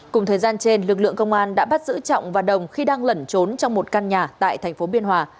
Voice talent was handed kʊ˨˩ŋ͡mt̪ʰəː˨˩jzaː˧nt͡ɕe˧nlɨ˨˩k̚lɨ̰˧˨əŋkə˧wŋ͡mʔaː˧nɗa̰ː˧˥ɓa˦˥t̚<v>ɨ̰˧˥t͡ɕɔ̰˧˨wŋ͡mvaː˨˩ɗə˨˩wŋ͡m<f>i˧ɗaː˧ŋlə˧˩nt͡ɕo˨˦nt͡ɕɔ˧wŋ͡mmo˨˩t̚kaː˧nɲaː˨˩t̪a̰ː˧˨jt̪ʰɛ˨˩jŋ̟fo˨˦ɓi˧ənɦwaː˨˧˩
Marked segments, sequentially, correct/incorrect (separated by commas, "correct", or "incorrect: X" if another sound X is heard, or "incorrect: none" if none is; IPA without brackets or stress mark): incorrect: z, incorrect: x